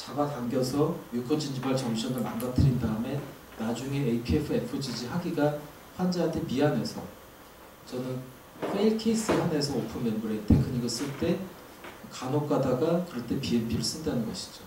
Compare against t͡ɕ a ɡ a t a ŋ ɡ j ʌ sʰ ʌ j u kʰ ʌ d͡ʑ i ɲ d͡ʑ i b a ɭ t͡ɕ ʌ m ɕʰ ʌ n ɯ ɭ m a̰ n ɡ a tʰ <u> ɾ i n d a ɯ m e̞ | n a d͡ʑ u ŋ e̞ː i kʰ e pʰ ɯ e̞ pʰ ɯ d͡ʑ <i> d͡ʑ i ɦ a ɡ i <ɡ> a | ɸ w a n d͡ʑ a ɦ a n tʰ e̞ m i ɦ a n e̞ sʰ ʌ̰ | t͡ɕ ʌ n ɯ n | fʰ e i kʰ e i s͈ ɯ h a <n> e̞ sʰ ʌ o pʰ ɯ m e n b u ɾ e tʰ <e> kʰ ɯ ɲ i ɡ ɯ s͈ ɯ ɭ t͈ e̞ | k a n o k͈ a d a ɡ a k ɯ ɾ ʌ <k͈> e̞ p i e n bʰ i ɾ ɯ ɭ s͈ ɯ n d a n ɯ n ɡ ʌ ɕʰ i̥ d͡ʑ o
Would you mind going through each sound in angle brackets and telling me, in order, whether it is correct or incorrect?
incorrect: ɯ, correct, correct, correct, correct, incorrect: t͈

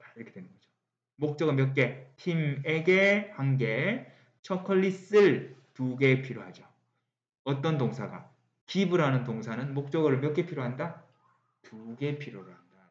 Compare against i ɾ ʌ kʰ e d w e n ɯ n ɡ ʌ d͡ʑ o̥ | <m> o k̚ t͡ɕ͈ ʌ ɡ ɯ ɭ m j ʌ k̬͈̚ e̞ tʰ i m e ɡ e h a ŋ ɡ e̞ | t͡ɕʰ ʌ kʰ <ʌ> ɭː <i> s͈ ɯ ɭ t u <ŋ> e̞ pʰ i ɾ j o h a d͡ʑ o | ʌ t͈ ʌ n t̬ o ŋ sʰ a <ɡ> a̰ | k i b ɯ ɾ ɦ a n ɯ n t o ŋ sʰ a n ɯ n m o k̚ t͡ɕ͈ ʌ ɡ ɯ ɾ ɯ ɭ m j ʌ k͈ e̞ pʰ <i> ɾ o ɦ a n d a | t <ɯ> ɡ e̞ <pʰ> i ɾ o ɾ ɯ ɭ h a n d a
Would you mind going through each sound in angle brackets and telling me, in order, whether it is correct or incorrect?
correct, correct, correct, incorrect: ɡ, correct, correct, incorrect: u, correct

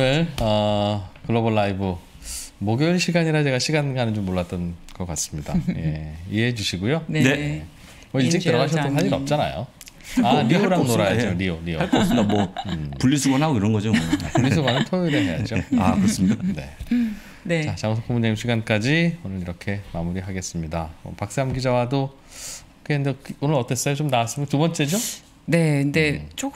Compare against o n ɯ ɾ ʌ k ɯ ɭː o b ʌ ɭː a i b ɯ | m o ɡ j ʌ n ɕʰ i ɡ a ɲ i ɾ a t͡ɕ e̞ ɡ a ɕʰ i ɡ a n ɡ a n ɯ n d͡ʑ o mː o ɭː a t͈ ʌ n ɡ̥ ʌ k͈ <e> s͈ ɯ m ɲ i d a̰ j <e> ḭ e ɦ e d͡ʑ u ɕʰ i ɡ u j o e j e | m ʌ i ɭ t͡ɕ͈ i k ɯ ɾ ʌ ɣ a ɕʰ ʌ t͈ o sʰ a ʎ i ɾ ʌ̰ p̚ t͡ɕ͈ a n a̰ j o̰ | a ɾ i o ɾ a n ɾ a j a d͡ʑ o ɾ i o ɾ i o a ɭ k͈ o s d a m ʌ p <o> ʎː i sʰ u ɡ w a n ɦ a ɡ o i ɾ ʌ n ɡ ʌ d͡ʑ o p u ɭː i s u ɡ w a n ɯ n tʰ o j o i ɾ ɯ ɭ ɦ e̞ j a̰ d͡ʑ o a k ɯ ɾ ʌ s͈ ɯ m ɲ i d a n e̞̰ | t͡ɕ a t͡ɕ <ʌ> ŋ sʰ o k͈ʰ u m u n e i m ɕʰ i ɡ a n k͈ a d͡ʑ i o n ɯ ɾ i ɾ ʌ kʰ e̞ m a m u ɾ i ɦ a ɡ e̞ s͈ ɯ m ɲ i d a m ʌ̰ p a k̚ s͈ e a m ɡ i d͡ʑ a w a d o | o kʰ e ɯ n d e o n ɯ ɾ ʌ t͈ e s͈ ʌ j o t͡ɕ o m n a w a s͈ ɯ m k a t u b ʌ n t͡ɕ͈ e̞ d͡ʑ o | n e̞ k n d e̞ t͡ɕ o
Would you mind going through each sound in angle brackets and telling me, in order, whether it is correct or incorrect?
incorrect: a, correct, incorrect: u, incorrect: a

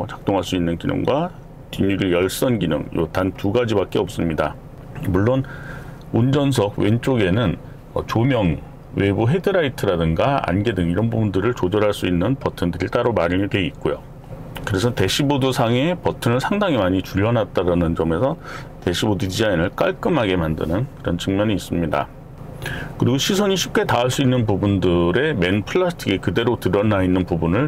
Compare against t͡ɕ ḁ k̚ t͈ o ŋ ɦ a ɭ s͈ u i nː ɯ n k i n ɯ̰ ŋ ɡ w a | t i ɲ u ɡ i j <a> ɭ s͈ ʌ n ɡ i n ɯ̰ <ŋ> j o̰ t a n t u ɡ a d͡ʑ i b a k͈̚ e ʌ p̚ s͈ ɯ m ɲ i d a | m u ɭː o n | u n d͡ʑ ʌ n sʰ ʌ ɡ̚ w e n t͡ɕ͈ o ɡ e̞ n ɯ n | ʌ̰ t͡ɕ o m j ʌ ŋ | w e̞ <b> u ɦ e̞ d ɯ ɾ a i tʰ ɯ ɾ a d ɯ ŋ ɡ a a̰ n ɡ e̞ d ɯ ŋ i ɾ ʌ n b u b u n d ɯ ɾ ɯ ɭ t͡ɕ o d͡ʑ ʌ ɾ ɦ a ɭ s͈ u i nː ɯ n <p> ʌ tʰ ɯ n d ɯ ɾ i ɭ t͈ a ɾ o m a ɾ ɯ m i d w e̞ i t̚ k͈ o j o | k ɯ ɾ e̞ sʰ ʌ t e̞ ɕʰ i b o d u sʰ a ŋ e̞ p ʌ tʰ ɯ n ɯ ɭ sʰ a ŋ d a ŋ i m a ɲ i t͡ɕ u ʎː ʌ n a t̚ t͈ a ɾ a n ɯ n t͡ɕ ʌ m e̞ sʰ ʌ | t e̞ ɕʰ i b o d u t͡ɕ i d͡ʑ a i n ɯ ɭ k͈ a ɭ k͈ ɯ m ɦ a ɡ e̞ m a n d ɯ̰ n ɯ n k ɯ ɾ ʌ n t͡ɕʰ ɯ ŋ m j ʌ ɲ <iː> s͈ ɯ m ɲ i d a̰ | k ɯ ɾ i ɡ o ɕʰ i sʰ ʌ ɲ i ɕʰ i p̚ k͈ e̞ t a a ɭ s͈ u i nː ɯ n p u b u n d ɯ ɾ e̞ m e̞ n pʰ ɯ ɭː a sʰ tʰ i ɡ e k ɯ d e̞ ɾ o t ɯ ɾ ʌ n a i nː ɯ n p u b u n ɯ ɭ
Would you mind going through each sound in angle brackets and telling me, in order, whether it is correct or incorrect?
incorrect: ʌ, correct, correct, correct, correct

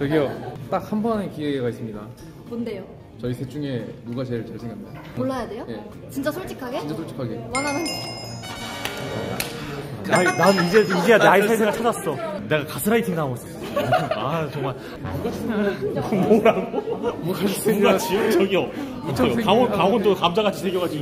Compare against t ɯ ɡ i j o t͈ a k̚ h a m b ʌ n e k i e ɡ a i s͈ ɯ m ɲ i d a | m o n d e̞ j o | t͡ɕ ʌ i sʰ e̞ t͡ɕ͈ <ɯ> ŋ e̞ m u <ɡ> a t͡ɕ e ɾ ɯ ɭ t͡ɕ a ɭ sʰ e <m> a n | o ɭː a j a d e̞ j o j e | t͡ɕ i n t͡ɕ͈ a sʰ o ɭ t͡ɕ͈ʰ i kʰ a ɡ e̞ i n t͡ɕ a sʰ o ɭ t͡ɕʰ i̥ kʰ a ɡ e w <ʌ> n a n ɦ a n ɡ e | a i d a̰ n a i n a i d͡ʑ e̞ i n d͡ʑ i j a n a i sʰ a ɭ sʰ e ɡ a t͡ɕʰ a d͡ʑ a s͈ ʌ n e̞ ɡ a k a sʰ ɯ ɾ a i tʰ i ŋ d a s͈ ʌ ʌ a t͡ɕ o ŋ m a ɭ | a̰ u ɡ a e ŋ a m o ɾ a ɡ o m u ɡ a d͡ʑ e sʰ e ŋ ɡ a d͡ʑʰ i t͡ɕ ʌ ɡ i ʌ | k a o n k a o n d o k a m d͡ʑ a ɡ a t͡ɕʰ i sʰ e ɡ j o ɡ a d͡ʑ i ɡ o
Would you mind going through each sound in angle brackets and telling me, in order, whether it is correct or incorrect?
incorrect: u, correct, incorrect: ŋ, incorrect: a

